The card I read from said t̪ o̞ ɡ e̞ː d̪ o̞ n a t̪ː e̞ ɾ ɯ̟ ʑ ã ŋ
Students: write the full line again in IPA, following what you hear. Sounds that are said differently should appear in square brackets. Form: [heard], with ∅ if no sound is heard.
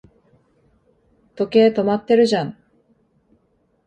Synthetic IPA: t̪ o̞ [k] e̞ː [t̪] o̞ [m] a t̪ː e̞ ɾ ɯ̟ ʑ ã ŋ